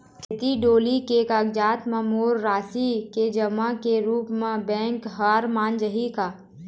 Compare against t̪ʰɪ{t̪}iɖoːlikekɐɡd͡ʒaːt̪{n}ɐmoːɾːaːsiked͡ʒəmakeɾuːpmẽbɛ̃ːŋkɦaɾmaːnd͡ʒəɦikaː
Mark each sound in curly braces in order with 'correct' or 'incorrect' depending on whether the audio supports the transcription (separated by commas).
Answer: correct, incorrect